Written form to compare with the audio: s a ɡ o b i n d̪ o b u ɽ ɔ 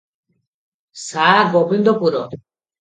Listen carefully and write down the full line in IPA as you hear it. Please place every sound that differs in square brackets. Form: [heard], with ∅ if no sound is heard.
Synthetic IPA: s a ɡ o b i n d̪ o [p] u [ɾ] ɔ

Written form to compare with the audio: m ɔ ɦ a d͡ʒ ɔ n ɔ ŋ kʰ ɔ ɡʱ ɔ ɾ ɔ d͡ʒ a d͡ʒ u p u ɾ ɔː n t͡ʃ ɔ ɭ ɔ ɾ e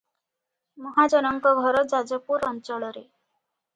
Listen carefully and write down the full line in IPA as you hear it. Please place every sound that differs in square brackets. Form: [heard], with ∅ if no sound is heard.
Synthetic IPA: m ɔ ɦ a d͡ʒ ɔ n ɔ ŋ [k] ɔ ɡʱ ɔ ɾ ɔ d͡ʒ a d͡ʒ [ɔ] p u ɾ [ɔ] n t͡ʃ ɔ ɭ ɔ ɾ e

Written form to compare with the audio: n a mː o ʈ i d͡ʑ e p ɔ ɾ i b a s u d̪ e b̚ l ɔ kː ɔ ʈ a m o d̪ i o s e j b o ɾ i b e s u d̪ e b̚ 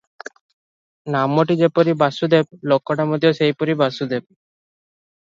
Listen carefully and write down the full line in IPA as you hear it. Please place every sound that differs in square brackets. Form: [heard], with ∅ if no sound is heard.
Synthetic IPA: n a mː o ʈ i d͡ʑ e p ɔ ɾ i b a s u d̪ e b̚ l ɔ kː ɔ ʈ a m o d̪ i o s e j [p] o ɾ i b [a] s u d̪ e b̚

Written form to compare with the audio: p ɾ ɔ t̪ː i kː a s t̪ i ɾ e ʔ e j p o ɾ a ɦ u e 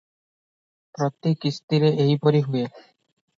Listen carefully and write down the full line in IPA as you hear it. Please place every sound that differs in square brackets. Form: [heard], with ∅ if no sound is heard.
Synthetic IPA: p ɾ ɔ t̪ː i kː [i] s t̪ i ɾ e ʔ e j p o ɾ [i] ɦ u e

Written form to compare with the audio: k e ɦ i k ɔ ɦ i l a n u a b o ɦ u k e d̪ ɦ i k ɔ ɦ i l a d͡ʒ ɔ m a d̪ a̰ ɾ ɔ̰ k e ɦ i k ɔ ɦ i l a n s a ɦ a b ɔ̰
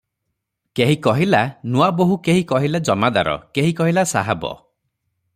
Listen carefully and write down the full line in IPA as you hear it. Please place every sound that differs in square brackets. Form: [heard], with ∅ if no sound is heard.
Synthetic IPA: k e ɦ i k ɔ ɦ i l a n u a b o ɦ u k e [∅] ɦ i k ɔ ɦ i l a d͡ʒ ɔ m a d̪ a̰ ɾ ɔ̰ k e ɦ i k ɔ ɦ i l a [∅] s a ɦ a b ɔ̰

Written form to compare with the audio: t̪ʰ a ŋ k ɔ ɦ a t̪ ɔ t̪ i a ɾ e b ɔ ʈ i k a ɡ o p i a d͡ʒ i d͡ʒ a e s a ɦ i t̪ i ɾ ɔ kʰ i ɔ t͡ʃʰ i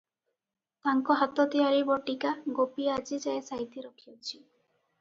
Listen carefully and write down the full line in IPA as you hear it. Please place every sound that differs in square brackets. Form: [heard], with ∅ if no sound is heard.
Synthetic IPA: [t̪] a ŋ k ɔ ɦ a t̪ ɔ t̪ i a ɾ [i] b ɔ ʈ i k a ɡ o p i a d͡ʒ i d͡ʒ a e s a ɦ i t̪ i ɾ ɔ kʰ i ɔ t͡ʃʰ i

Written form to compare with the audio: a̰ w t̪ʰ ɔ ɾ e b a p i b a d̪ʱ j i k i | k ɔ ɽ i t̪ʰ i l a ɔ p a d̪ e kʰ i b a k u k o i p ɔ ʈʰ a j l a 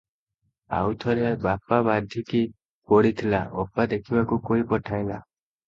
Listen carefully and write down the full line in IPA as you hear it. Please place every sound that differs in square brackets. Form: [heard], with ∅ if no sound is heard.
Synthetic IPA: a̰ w t̪ʰ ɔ ɾ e b a p [a] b a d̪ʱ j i k i | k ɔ ɽ i t̪ʰ i l a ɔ p a d̪ e kʰ i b a k u k o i p ɔ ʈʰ a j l a

